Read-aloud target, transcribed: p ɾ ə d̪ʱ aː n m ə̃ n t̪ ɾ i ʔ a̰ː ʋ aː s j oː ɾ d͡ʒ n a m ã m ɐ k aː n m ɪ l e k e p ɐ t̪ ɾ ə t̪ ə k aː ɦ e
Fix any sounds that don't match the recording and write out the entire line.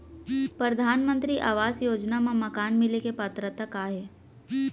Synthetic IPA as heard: p ɾ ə d̪ʱ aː n m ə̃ n t̪ ɾ i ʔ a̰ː ʋ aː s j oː d͡ʒ n a m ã m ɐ k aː n m ɪ l e k e p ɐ t̪ ɾ ə t̪ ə k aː ɦ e